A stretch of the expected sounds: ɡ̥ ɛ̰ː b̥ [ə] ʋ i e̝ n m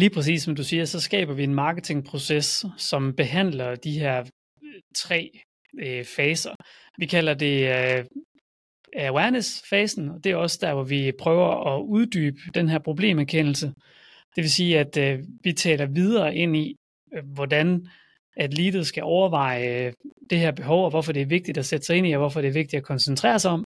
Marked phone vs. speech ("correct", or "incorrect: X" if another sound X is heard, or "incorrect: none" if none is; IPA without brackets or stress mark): incorrect: ɐ